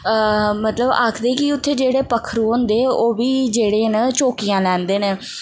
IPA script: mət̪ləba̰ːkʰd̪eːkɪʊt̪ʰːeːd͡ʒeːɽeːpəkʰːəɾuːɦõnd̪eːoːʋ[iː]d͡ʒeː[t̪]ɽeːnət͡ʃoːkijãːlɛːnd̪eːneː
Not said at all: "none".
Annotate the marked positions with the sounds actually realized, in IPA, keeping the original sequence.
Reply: iː, none

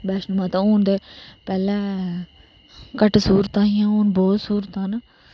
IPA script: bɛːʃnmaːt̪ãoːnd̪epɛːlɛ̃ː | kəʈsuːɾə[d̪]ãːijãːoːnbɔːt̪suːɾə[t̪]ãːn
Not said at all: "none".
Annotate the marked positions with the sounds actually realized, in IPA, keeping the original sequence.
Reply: t̪, t̪

